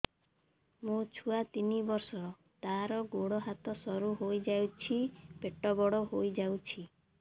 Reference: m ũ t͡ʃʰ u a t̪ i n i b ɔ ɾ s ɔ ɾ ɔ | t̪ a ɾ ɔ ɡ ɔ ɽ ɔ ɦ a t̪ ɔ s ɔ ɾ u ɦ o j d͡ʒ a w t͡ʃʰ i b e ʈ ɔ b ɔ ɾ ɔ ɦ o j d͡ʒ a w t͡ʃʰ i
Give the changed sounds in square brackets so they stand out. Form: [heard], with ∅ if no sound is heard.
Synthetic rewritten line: m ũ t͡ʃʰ u a t̪ i n i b ɔ ɾ s ɔ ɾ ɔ | t̪ a ɾ ɔ ɡ [o] ɽ ɔ ɦ a t̪ ɔ s ɔ ɾ u ɦ o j d͡ʒ a w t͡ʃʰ i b e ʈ ɔ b ɔ [ɽ] ɔ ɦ o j d͡ʒ a w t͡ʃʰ i

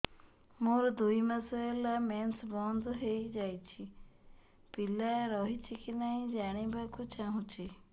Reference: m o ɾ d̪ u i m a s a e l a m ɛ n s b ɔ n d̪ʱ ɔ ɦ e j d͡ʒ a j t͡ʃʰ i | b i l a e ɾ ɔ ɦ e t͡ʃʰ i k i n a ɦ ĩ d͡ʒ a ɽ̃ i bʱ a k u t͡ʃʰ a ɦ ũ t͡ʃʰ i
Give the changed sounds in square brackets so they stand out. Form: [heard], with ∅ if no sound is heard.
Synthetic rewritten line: m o ɾ d̪ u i m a s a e l a m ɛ n s b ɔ n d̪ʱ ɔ ɦ e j d͡ʒ a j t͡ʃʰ i | [p] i l a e ɾ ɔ ɦ [i] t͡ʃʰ i k i n a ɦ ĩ d͡ʒ a ɽ̃ i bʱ a k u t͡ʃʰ a ɦ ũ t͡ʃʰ i

